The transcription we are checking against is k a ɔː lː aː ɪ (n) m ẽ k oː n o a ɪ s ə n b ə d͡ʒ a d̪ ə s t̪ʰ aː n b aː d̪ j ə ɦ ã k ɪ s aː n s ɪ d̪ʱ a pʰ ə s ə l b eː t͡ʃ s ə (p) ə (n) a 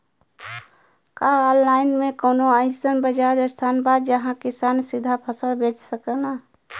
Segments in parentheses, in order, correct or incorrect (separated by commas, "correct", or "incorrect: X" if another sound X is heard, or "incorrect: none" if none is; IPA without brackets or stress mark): correct, incorrect: k, correct